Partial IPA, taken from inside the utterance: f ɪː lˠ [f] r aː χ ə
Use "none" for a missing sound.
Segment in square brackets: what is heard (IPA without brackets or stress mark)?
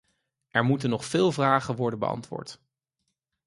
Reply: v